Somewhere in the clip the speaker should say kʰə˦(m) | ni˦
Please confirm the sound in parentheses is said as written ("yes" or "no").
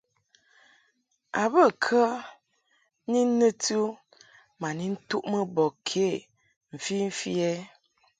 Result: no